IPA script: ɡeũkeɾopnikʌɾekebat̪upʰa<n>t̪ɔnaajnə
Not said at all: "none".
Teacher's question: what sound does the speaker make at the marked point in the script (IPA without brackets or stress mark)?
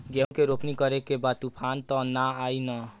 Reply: n